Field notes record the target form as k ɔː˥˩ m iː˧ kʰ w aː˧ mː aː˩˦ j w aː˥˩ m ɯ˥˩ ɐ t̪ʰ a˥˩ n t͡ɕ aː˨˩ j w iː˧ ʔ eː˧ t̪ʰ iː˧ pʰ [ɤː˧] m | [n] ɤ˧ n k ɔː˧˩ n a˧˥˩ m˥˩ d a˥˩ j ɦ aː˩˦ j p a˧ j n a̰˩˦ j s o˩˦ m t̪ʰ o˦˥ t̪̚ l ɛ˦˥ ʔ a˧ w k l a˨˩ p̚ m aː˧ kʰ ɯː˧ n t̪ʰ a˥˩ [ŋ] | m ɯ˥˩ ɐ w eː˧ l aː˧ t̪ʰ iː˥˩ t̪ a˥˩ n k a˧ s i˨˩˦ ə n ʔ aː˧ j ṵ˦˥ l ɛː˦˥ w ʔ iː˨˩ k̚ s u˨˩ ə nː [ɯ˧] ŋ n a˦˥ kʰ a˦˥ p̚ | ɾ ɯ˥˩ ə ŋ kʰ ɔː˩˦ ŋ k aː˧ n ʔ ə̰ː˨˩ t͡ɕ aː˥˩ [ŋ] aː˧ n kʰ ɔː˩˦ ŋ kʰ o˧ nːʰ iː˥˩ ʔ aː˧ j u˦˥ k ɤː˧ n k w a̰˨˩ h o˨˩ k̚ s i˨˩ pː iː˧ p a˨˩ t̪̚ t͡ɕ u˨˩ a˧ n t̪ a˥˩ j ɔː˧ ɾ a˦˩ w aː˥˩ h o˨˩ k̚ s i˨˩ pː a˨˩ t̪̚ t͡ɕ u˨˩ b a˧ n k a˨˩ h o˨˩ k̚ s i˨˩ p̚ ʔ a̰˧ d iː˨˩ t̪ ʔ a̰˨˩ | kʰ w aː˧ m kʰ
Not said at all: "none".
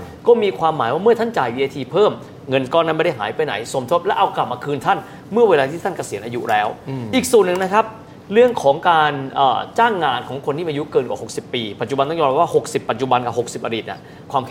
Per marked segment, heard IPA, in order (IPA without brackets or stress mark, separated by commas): ɤː˥˩, ŋ, n, ɯ˨˩, ŋː